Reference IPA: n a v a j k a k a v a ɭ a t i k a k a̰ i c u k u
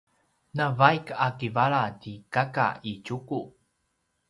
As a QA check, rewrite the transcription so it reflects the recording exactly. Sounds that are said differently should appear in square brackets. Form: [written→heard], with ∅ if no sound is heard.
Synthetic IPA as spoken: n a v a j k a k [a→i] v a ɭ a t i k a k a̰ i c u k u